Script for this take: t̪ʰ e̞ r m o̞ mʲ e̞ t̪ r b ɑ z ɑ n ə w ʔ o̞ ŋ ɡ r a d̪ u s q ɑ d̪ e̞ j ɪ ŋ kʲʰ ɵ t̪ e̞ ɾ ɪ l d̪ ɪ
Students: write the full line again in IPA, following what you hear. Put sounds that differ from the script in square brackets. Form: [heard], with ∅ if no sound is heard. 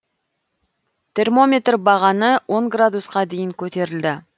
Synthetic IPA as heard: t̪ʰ e̞ r m o̞ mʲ e̞ t̪ r b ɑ [ʁ] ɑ n ə w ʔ o̞ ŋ ɡ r a d̪ u s q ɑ d̪ e̞ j ɪ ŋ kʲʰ ɵ t̪ e̞ ɾ ɪ l d̪ ɪ